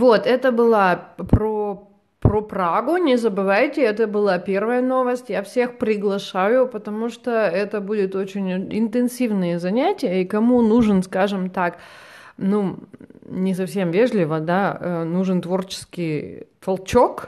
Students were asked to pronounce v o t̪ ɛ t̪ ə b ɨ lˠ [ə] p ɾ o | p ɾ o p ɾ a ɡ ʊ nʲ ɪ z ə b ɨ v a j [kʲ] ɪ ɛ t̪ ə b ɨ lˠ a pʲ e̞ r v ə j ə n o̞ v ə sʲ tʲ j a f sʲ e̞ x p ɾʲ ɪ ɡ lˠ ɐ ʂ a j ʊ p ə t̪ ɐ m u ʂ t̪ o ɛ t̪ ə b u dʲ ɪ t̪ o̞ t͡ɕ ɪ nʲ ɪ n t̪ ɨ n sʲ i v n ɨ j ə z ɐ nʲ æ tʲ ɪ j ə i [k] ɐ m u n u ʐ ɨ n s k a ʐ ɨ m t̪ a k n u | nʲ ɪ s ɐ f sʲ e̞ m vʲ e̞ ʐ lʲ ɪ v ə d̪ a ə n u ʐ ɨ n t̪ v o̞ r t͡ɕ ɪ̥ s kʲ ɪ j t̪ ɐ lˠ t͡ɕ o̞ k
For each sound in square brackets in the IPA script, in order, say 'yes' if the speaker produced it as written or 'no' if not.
no, no, yes

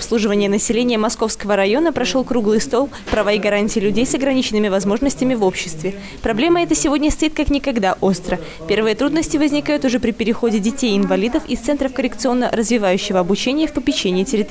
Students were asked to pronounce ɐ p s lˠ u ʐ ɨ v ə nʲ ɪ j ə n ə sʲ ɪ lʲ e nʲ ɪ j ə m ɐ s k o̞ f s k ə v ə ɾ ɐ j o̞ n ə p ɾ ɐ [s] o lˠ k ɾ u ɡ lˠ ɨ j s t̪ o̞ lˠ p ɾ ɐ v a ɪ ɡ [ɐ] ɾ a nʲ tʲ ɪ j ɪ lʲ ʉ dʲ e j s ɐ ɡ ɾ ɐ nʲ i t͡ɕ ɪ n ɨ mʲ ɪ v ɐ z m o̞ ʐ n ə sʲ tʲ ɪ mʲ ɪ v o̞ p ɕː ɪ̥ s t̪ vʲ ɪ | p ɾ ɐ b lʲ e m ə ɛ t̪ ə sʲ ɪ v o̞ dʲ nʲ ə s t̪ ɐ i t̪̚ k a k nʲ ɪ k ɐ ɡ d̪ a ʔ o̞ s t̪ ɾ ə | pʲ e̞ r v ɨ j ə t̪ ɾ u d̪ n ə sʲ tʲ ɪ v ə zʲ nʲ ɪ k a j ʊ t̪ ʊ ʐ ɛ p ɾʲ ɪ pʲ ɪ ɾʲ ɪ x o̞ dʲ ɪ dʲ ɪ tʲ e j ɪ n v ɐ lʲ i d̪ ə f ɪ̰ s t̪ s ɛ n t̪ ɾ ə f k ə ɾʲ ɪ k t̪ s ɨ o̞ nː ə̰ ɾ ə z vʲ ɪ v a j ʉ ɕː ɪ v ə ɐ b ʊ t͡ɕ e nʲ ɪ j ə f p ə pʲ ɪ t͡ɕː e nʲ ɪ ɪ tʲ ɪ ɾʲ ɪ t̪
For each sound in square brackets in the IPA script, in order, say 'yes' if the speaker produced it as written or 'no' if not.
no, yes

